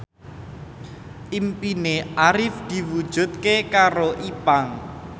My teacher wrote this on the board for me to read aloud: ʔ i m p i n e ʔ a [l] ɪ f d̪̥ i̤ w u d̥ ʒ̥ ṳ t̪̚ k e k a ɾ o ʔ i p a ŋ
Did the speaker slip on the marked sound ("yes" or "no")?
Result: yes